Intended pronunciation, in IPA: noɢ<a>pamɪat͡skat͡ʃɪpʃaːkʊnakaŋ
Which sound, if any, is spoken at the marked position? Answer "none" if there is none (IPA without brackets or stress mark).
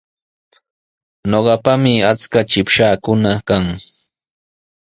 ɑ